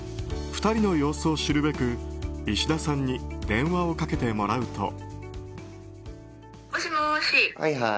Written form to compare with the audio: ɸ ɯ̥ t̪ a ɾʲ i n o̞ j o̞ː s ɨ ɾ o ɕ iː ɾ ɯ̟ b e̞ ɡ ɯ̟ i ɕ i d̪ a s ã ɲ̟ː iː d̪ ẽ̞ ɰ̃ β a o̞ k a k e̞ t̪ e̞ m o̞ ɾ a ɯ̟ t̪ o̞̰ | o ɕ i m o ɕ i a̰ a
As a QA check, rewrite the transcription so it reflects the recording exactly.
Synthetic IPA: ɸ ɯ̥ t̪ a ɾʲ i n o̞ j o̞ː s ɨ o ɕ i ɾ ɯ̟ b e̞ k ɯ̟ i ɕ i d̪ a s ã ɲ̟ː i d̪ ẽ̞ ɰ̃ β a o̞ k a k e̞ t̪ e̞ m o̞ ɾ a ɯ̟ t̪ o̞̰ | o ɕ i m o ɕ i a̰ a